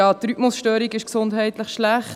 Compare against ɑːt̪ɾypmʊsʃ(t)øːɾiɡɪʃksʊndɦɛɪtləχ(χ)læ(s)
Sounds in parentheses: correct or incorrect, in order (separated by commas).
correct, incorrect, incorrect